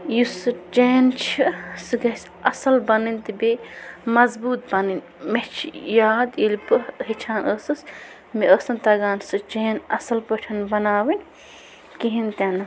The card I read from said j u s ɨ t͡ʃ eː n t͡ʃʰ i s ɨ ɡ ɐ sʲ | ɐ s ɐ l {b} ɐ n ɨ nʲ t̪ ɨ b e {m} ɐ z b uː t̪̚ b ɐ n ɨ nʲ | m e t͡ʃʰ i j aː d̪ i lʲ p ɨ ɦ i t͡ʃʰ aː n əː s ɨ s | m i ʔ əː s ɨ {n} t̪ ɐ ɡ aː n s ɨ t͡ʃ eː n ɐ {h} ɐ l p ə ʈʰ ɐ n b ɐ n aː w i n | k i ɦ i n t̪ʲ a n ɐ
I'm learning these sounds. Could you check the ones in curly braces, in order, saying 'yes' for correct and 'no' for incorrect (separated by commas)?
yes, yes, yes, no